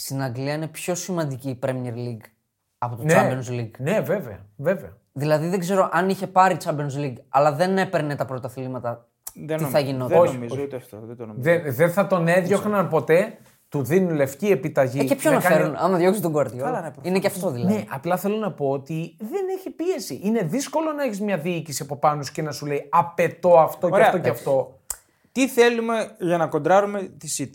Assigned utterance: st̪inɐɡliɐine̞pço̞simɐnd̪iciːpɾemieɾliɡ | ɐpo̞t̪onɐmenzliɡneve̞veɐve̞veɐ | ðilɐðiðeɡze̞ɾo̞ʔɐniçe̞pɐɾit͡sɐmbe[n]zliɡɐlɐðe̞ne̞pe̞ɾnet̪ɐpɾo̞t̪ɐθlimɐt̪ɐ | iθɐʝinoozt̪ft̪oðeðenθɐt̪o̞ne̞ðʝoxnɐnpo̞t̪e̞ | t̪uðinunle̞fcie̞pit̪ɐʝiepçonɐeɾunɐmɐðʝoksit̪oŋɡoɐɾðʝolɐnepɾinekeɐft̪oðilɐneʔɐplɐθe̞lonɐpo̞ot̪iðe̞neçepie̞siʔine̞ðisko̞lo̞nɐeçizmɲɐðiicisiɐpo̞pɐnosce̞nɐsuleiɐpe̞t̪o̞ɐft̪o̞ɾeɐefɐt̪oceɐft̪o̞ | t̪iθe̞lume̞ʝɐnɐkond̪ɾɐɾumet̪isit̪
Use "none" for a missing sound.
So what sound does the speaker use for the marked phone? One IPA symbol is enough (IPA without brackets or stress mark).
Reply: n